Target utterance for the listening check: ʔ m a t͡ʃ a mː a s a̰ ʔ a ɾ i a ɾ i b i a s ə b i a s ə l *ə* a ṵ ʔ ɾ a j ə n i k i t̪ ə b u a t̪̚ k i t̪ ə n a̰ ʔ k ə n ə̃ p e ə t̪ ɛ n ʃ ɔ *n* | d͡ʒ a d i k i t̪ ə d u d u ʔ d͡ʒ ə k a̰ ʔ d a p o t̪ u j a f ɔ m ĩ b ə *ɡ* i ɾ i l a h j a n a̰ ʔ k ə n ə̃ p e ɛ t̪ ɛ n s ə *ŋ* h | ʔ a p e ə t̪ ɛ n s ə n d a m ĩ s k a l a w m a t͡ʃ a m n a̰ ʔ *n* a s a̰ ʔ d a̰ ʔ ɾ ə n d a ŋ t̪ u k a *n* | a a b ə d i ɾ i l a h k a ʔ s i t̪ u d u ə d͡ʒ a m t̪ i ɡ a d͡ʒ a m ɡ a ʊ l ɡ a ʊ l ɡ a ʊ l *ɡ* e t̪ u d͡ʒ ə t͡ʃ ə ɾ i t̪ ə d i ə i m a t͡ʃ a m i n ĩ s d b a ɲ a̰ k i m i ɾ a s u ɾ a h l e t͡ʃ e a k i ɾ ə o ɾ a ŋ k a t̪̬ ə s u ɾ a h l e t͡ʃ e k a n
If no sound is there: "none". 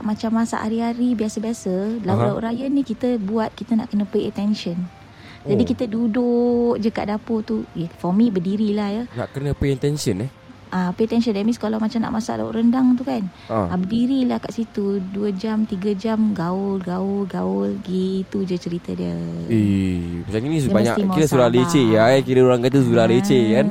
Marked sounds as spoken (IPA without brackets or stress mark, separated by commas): a, n, d, n, m, n, ɡ